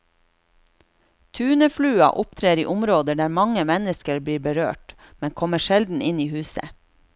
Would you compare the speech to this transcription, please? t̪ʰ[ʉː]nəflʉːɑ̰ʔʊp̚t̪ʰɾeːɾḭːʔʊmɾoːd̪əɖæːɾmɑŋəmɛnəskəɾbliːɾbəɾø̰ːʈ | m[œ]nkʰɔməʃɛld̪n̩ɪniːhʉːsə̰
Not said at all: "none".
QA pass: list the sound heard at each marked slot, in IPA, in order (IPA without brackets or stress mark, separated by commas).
ʉː, ɛ